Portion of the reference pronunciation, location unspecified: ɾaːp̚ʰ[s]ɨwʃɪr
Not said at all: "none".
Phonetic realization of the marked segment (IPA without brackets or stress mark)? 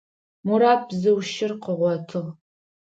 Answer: z